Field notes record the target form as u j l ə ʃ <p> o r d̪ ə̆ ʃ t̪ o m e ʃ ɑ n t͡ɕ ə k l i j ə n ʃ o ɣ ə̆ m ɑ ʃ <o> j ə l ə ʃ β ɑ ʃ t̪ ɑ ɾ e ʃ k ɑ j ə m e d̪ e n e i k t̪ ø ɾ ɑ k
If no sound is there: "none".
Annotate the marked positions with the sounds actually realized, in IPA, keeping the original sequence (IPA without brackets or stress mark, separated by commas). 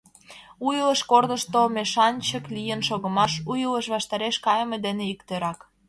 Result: k, u